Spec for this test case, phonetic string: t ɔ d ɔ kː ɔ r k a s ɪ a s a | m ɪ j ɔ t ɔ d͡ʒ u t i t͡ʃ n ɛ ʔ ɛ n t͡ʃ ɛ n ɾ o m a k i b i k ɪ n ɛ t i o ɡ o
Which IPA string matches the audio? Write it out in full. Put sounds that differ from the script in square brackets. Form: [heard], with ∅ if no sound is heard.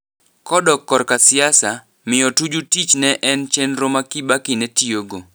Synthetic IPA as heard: [k] ɔ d ɔ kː ɔ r k a s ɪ a s a | m ɪ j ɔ t [u] d͡ʒ u t i t͡ʃ n ɛ ʔ ɛ n t͡ʃ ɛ n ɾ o m a k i b [a] k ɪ n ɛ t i o ɡ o